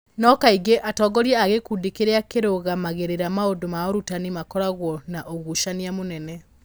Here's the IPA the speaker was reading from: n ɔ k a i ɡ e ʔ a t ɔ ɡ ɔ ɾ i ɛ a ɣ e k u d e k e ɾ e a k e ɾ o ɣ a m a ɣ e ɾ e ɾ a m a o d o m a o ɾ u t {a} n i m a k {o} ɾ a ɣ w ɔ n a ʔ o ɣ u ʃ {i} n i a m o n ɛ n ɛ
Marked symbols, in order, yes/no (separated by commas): yes, no, no